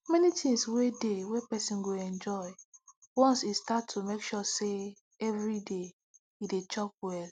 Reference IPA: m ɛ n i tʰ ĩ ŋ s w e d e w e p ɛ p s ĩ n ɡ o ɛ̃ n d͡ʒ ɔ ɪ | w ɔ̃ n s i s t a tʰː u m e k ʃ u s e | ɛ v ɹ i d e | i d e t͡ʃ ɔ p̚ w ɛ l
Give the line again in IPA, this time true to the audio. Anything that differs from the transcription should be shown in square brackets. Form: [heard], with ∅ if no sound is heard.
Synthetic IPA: m ɛ n i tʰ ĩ ŋ s w e d e w e p ɛ [∅] s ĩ n ɡ o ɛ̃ n d͡ʒ ɔ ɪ | w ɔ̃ n s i s t a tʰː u m e k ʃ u s e | ɛ v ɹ i d e | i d e t͡ʃ ɔ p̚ w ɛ l